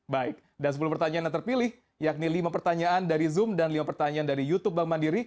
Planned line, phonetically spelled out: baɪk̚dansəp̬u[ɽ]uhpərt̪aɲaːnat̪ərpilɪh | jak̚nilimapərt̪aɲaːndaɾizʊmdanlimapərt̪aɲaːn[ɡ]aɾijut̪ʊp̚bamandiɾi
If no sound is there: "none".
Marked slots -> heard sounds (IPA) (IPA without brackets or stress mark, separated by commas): l, d